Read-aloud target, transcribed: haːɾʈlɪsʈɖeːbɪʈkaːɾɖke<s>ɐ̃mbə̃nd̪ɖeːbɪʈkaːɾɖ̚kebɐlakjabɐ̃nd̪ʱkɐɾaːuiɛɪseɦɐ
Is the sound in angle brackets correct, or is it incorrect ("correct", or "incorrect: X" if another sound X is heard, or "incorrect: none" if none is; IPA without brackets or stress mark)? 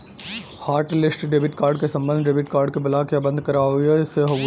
correct